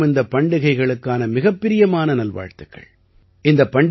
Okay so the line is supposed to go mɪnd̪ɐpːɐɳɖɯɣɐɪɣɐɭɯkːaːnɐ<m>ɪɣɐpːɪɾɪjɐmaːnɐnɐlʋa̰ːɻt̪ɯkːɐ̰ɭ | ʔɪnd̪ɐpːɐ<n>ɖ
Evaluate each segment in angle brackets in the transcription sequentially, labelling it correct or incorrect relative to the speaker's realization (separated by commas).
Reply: correct, incorrect